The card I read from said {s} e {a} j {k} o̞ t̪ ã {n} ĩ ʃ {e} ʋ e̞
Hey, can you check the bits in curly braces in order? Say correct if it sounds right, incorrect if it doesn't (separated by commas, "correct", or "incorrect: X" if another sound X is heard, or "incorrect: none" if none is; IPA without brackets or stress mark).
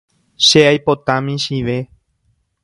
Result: incorrect: ʃ, correct, incorrect: p, incorrect: m, incorrect: i